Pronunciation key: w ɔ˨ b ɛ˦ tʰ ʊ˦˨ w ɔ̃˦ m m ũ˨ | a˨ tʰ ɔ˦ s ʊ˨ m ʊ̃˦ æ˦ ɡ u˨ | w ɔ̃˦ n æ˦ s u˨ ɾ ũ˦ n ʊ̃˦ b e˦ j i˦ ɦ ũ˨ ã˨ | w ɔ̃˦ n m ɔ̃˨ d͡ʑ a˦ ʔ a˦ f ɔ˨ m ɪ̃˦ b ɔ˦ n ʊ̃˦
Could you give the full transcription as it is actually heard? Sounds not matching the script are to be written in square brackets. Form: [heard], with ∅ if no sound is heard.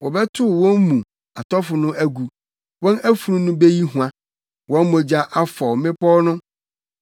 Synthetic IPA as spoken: w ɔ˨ b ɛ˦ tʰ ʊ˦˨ w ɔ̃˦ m m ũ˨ | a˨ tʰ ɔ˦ [f] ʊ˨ [n] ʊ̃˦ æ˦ ɡ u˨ | w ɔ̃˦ n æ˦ [f] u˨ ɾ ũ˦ n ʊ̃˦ b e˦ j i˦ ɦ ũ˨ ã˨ | w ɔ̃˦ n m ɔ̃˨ d͡ʑ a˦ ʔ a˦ f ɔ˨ m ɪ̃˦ [p] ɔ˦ n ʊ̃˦